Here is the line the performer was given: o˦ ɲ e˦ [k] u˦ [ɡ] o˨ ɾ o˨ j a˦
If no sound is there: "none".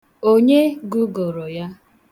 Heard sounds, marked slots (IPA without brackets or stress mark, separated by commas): ɡ, ɡ